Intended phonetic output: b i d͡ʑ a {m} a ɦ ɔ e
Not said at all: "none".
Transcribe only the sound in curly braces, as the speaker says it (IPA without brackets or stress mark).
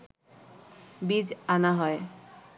n